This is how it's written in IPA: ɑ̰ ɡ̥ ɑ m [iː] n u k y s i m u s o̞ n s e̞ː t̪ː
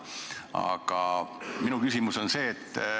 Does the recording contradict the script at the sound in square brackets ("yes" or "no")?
yes